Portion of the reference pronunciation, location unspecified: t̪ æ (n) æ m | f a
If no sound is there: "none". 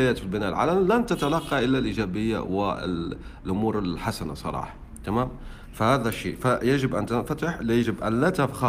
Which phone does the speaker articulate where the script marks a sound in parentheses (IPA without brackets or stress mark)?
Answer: m